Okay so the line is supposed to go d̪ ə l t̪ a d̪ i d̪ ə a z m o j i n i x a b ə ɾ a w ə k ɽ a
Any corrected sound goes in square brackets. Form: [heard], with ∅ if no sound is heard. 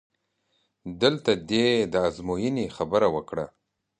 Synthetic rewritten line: d̪ ə l t̪ a d̪ [e] d̪ ə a z m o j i n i x a b ə ɾ a w ə k ɽ a